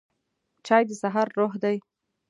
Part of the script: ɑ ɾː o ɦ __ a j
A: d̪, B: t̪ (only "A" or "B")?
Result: A